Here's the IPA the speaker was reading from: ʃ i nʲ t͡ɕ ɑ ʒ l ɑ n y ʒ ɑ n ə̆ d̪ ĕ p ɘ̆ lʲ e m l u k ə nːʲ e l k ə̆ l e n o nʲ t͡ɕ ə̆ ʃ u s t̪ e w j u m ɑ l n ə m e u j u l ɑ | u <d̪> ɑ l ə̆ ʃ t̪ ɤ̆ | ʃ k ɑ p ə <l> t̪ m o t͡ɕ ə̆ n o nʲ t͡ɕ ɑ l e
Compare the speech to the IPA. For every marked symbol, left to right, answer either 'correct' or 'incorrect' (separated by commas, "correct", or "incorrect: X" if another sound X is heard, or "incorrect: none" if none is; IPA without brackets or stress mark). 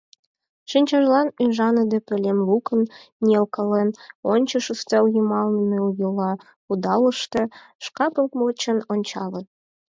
correct, correct